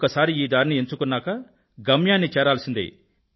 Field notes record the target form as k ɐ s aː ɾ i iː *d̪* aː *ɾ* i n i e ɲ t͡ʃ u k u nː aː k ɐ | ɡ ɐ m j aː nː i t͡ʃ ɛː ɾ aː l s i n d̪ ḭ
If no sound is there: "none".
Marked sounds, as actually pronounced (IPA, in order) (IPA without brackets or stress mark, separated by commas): d̪, ɾ